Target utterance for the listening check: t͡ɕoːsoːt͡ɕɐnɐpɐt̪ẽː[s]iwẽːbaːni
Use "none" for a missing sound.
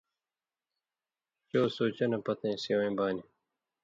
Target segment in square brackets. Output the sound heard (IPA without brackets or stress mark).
s